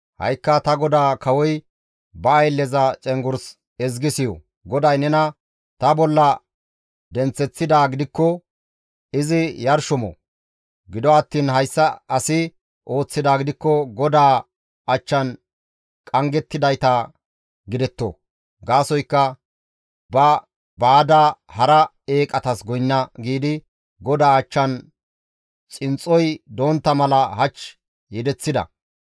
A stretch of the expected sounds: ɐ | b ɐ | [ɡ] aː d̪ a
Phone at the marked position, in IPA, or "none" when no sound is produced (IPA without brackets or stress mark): b